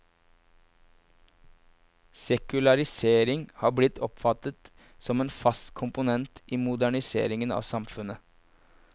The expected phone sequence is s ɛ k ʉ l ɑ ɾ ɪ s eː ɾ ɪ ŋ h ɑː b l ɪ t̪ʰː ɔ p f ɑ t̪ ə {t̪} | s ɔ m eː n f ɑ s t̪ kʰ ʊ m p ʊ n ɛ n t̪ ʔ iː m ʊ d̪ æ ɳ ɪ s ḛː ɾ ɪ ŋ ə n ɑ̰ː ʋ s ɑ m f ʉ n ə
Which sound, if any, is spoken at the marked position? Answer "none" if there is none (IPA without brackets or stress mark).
t̪